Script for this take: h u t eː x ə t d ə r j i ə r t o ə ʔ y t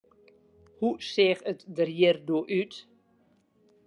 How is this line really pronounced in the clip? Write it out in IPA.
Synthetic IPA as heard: h u s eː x ə t d ə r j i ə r d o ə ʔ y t